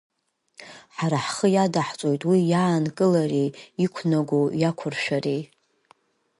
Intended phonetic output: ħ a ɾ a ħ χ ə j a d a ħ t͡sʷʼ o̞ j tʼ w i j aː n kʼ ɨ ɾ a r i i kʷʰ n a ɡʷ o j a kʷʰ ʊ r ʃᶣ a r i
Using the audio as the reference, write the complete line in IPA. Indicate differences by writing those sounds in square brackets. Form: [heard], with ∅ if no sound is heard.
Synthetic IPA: ħ a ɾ a ħ χ ə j a d a ħ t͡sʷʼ o̞ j tʼ w i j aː n kʼ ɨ [l] a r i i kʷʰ n a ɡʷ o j a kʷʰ ʊ r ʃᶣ a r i